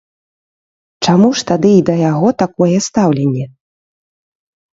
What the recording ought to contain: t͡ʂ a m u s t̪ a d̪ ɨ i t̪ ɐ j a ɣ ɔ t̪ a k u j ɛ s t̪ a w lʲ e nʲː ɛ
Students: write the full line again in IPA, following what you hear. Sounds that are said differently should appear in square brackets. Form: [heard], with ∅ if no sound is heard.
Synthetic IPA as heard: t͡ʂ a m u [ʂ] t̪ a d̪ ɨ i [d̪] ɐ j a ɣ ɔ t̪ a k [ɔ] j ɛ s t̪ a w lʲ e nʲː ɛ